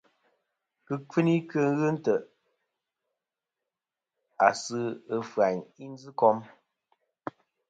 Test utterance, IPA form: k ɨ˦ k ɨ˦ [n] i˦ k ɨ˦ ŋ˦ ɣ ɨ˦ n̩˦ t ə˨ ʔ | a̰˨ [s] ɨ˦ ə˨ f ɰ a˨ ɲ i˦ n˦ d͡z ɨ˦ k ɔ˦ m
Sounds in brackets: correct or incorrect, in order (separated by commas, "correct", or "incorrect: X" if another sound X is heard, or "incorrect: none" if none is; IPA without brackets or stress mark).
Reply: correct, correct